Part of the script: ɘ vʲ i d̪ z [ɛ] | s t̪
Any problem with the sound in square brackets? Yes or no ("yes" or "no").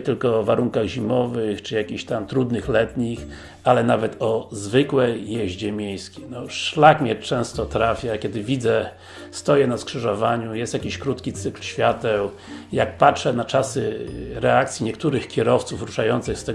no